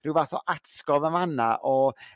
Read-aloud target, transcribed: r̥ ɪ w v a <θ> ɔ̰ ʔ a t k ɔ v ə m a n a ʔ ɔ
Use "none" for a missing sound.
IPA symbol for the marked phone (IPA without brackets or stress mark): θ